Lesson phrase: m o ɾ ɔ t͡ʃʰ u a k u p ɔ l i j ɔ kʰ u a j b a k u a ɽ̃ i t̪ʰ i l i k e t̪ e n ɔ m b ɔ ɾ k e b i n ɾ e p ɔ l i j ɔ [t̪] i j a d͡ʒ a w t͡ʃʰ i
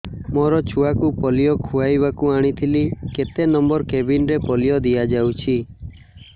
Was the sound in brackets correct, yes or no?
no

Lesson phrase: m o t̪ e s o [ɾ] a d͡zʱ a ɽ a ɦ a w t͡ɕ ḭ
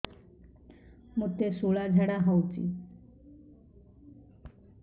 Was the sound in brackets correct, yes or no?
no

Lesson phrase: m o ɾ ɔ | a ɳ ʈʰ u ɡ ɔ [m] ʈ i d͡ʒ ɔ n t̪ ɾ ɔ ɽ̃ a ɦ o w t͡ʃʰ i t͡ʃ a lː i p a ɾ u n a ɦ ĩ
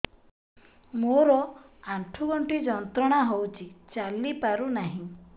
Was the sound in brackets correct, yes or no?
no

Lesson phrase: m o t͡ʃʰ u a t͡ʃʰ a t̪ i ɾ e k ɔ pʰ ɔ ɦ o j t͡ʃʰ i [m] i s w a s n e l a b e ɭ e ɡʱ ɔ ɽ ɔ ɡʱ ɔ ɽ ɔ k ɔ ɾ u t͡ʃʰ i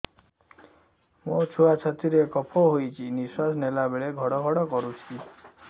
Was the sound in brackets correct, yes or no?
no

